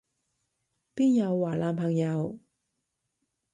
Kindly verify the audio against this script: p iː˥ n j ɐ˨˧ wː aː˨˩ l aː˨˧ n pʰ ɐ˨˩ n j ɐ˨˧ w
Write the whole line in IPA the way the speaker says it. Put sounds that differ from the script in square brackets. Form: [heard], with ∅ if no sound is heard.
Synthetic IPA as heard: p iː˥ n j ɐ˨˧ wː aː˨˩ l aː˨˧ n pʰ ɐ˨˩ [ŋ] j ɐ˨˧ w